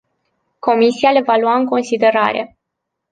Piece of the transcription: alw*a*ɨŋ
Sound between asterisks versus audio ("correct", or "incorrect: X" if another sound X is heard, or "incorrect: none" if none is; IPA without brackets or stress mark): correct